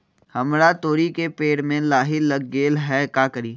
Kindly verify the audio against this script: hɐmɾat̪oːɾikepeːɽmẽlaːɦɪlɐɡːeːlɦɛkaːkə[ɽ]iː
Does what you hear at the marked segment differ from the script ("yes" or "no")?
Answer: yes